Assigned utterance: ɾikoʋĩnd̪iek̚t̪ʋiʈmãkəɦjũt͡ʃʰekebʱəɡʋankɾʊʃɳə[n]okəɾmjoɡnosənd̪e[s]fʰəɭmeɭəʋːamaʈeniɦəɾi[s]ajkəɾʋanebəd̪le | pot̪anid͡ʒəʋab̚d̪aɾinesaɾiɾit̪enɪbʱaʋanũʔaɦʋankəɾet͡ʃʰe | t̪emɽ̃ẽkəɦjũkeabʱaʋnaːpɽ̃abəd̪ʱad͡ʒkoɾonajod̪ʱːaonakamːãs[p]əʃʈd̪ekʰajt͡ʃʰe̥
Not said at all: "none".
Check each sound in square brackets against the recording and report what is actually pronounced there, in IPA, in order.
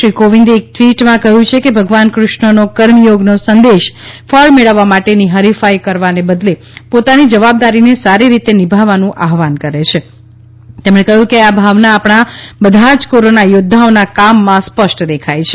n, ʃ, f, p

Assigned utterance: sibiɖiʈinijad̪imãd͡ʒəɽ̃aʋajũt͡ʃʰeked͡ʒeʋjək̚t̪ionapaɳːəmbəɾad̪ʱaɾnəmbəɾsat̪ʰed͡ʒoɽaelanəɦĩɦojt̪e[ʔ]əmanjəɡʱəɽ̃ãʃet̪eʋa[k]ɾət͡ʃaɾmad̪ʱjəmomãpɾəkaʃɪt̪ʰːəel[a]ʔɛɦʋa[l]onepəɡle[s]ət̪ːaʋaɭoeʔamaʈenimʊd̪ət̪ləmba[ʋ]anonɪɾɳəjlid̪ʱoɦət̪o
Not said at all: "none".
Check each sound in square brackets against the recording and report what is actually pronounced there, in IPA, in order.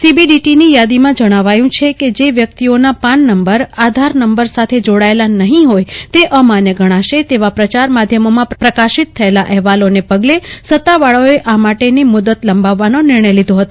ʔ, p, a, l, s, ʋː

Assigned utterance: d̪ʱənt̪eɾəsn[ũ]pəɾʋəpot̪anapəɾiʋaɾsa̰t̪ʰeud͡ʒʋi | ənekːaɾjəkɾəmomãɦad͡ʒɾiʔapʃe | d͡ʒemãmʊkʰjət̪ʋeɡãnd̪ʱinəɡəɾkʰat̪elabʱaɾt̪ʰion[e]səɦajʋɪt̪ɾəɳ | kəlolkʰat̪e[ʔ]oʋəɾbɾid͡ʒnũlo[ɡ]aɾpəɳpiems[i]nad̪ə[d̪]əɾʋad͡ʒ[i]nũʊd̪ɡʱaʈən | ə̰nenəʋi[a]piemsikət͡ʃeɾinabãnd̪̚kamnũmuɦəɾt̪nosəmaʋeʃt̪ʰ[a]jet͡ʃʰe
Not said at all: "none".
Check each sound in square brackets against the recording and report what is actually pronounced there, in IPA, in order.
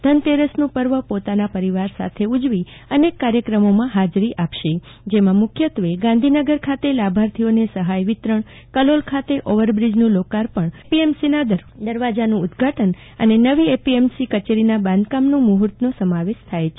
ũ, e, ʔ, k, i, d̪, a, e, a

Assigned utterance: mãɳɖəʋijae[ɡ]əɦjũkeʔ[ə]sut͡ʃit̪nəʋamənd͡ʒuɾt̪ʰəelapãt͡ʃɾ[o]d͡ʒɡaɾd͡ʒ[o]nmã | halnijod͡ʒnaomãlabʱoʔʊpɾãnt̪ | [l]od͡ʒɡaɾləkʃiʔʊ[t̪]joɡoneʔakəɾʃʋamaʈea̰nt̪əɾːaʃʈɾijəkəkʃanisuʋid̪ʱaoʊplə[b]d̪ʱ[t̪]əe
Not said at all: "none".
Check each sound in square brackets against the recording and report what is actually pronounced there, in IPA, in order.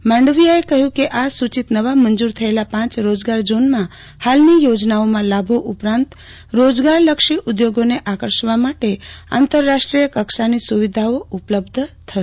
k, a, o, o, ɾ, d̪, b, t̪ʰ

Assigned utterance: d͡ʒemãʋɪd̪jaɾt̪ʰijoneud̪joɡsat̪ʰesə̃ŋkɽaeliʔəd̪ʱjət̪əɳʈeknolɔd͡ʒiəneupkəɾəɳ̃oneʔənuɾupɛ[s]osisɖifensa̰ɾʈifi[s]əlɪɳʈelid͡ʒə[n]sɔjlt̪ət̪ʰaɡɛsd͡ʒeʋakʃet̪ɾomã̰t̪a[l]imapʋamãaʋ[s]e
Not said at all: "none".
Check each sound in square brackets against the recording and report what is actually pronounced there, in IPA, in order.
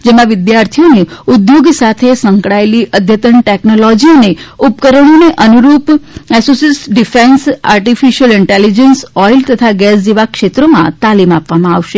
s, ʃ, n, l, ʃ

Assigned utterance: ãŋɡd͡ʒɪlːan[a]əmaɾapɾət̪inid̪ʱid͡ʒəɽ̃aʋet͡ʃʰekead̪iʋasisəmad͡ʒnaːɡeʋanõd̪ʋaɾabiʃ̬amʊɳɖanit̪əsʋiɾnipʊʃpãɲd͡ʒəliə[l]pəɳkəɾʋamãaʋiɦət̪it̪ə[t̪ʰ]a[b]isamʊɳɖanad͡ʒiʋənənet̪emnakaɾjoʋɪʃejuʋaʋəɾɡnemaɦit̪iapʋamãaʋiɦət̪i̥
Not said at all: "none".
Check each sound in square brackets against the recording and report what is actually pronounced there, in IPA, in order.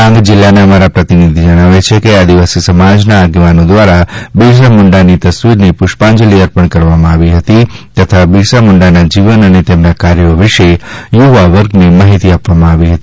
e, ɾ, t̪ʰ, b

